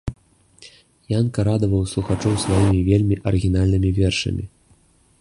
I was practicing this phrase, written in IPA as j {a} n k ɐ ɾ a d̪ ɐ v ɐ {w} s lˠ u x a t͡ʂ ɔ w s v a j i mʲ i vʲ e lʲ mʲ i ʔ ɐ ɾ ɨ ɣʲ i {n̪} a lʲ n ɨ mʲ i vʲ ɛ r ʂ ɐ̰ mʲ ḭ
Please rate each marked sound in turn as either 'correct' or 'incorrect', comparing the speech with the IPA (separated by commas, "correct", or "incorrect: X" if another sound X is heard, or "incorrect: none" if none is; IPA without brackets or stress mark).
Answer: correct, correct, correct